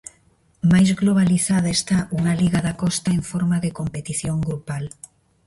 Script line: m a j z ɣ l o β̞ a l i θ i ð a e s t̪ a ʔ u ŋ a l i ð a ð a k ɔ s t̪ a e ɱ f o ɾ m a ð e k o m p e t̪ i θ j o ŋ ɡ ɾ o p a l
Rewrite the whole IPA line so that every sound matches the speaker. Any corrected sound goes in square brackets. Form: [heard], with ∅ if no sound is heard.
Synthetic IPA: m a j z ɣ l o β̞ a l i θ [a] ð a e s t̪ a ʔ u ŋ a l i [ɣ] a ð a k ɔ s t̪ a e ɱ f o ɾ m a ð e k o m p e t̪ i θ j o ŋ ɡ ɾ [u] p a l